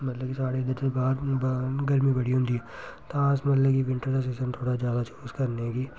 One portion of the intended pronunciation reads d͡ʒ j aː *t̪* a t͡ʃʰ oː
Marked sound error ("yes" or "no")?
yes